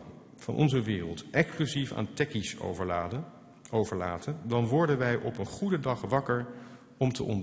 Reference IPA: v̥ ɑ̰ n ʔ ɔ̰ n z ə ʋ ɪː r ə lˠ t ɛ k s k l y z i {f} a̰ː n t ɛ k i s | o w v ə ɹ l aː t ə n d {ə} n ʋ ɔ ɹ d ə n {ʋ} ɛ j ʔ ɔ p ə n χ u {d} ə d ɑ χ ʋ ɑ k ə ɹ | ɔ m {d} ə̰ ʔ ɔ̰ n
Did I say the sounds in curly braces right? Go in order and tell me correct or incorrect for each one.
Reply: correct, incorrect: ɑ, correct, correct, incorrect: t

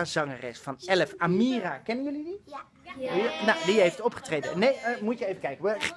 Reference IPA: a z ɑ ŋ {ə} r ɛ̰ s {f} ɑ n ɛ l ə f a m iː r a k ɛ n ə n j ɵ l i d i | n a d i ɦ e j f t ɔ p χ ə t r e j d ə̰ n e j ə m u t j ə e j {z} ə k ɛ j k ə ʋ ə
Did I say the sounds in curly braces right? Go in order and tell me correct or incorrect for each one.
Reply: correct, correct, incorrect: v

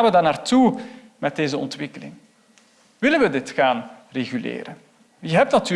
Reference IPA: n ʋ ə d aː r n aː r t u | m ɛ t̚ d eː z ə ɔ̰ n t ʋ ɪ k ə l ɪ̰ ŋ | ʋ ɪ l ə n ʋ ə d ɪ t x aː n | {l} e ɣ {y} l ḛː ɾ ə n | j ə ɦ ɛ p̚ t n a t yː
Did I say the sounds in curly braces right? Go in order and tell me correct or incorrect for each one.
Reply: incorrect: r, correct

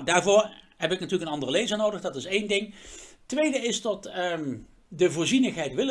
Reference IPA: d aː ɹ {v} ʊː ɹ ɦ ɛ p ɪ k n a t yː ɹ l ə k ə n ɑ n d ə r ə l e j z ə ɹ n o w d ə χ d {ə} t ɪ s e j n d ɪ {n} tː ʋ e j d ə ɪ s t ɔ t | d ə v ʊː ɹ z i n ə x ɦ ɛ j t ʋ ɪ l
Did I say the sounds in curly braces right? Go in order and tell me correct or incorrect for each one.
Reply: correct, incorrect: ɑ, incorrect: ŋ

